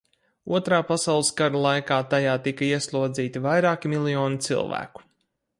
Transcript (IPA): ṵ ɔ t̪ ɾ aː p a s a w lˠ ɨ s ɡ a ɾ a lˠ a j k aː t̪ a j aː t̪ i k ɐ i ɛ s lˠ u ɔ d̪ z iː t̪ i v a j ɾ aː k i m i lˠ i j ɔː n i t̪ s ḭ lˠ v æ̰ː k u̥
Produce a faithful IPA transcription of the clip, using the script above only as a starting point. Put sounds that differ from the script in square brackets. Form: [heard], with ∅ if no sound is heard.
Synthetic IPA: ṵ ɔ t̪ ɾ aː p a s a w lˠ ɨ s ɡ a ɾ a lˠ a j k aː t̪ a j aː t̪ i k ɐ i ɛ s lˠ u ɔ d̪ z iː t̪ i v a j ɾ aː k i m i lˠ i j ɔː n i t̪ s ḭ lˠ v æ̰ː k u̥